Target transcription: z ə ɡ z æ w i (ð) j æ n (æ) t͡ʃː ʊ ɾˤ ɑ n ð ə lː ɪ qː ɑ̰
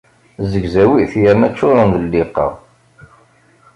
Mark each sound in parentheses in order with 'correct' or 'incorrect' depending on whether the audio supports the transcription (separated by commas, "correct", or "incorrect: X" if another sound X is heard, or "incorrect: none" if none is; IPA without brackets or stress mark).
incorrect: θ, correct